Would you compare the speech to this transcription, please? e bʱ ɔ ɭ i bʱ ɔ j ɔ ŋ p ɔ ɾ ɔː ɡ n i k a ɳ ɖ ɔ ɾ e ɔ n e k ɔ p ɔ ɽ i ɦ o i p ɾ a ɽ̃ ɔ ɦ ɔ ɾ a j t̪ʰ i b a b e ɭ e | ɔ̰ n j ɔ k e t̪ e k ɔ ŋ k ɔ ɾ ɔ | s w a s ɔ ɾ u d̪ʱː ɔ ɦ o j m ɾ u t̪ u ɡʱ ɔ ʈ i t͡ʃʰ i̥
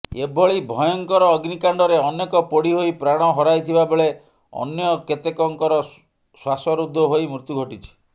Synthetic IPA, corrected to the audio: e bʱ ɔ ɭ i bʱ ɔ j ɔ ŋ k ɔ ɾ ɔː ɡ n i k a ɳ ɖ ɔ ɾ e ɔ n e k ɔ p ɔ ɽ i ɦ o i p ɾ a ɽ̃ ɔ ɦ ɔ ɾ a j t̪ʰ i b a b e ɭ e | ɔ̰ n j ɔ k e t̪ e k ɔ ŋ k ɔ ɾ ɔ | s w a s ɔ ɾ u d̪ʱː ɔ ɦ o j m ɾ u t̪ u ɡʱ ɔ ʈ i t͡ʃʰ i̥